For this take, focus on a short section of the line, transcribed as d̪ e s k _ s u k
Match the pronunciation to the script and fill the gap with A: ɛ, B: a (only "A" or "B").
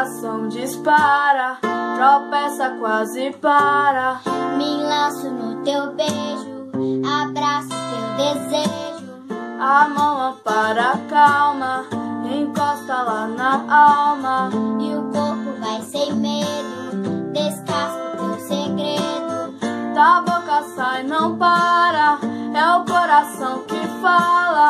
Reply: B